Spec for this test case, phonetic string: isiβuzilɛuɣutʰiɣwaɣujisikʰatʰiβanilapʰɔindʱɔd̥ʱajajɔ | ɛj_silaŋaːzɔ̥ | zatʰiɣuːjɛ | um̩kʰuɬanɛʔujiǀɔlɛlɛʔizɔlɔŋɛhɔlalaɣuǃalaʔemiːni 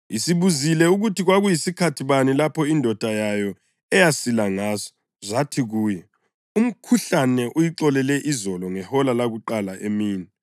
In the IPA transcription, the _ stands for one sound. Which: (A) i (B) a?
B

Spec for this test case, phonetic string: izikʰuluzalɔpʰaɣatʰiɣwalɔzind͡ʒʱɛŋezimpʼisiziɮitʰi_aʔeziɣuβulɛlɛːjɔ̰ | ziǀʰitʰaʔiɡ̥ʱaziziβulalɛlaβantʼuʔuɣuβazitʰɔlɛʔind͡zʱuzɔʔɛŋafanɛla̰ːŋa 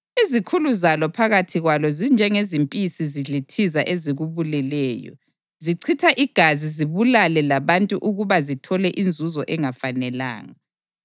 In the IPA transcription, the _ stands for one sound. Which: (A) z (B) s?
A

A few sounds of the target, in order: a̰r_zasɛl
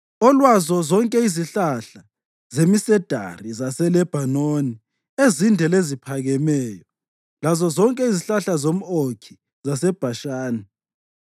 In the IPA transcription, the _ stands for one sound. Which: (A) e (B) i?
B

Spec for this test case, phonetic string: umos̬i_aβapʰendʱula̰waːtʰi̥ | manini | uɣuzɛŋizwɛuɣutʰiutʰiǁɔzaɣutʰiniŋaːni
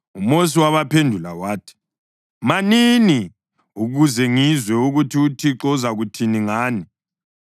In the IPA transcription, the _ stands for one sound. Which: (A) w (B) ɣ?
A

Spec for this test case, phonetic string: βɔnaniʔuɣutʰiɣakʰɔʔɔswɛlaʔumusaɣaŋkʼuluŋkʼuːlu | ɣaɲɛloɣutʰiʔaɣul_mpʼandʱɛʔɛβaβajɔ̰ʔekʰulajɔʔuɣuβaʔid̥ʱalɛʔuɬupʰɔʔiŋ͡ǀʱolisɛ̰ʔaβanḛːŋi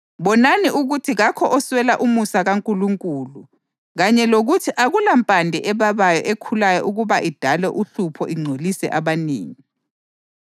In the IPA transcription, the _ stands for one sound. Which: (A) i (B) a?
B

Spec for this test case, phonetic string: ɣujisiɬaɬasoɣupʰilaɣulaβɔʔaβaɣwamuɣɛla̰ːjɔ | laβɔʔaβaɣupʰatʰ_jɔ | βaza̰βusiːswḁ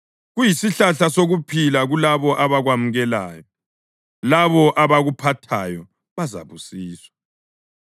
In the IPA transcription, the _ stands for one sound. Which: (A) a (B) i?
A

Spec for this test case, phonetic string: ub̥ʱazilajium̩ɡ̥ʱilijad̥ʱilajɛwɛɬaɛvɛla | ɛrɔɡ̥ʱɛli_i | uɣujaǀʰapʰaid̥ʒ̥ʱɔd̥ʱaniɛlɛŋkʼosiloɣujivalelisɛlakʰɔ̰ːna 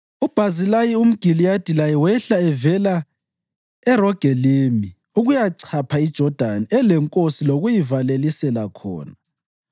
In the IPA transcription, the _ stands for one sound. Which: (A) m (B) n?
A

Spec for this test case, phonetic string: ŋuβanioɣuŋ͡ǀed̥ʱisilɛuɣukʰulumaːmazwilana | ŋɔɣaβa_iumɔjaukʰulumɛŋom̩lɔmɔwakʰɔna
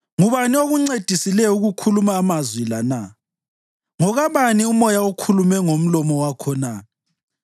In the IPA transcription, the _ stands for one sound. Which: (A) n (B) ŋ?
A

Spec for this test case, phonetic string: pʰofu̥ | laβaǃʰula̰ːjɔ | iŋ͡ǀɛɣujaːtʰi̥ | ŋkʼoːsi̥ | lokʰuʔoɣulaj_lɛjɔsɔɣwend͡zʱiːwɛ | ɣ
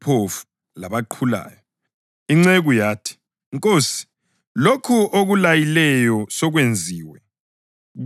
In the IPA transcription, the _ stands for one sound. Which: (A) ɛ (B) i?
B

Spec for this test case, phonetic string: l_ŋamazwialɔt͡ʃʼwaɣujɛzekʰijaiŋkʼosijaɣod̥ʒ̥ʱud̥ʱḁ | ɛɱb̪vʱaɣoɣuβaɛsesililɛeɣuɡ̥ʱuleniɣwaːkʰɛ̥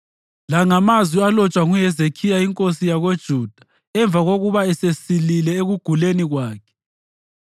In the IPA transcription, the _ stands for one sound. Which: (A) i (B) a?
B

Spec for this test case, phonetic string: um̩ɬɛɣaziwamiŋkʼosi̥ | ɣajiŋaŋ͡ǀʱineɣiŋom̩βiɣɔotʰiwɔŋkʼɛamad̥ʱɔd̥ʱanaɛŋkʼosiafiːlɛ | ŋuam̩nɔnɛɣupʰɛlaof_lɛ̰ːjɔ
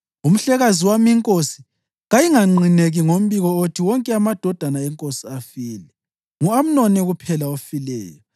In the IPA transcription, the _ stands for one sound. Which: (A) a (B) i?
B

